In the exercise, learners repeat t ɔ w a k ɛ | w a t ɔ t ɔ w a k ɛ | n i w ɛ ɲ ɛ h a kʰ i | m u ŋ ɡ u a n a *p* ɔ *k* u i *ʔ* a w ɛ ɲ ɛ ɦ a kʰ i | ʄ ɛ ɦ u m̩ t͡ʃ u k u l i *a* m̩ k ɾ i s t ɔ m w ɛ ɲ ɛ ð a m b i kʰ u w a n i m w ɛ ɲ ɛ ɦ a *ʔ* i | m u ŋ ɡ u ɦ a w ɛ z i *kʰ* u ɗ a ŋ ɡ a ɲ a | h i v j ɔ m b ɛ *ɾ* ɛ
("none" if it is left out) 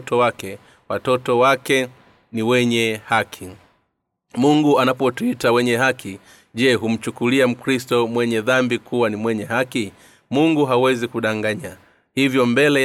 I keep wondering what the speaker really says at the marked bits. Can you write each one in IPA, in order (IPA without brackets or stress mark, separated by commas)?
p, t, t, a, k, k, l